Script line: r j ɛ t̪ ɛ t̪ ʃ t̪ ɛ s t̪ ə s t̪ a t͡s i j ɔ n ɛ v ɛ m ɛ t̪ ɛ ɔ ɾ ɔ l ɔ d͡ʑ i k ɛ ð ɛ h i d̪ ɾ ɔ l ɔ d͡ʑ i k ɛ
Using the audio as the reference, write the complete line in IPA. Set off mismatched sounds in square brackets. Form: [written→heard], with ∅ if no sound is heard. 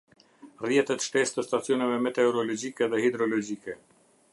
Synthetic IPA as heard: r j ɛ t̪ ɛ t̪ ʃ t̪ ɛ s t̪ ə s t̪ a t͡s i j ɔ n ɛ v ɛ m ɛ t̪ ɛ ɔ ɾ ɔ l ɔ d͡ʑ i k ɛ ð ɛ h i d̪ ɾ ɔ l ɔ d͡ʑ i k ɛ